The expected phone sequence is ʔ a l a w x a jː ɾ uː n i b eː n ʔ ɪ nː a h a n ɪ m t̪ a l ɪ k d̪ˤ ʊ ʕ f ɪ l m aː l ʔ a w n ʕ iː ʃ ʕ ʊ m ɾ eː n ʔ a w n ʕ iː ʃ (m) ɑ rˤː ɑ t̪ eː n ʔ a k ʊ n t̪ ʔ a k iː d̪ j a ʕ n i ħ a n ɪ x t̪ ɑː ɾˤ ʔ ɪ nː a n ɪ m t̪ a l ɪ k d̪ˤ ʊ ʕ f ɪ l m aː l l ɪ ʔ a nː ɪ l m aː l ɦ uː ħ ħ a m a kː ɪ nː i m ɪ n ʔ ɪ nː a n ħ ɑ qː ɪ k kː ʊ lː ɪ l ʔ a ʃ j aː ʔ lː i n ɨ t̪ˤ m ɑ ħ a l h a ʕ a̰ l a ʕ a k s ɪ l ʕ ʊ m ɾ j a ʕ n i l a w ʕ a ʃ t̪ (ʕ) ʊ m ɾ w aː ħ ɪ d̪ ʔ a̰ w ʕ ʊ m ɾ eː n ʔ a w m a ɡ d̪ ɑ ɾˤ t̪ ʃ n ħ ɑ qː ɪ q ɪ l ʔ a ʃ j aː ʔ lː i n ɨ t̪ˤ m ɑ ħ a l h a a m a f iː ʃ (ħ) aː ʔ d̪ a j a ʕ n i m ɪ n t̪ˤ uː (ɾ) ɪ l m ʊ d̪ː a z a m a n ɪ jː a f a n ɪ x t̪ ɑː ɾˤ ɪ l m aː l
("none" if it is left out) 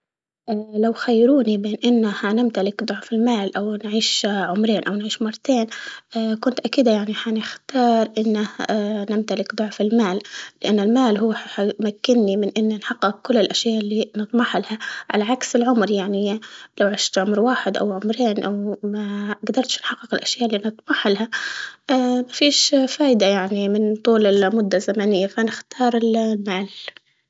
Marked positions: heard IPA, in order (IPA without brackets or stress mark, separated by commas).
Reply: m, ʕ, f, l